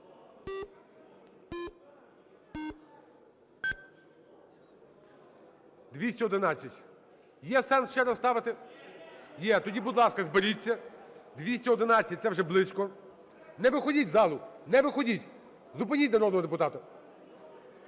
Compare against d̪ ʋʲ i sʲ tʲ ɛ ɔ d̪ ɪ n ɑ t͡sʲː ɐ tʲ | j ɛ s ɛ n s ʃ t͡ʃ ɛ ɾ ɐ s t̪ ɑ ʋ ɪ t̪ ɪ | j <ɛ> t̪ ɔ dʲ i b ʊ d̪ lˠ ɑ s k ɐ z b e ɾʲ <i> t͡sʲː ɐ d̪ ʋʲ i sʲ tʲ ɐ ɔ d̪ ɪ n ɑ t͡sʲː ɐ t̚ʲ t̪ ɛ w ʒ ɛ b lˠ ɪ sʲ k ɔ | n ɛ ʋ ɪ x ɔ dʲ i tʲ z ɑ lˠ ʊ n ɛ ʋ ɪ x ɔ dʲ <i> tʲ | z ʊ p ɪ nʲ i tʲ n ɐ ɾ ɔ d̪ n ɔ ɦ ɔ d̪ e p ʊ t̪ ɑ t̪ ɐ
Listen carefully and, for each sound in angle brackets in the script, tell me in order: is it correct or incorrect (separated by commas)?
correct, correct, correct